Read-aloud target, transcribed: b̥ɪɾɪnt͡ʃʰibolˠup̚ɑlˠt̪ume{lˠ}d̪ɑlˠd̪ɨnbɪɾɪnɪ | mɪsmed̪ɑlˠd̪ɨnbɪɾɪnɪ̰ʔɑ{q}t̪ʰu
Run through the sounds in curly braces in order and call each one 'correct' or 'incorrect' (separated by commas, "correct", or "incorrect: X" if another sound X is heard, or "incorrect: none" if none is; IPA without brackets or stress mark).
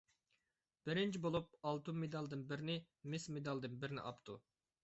incorrect: none, incorrect: p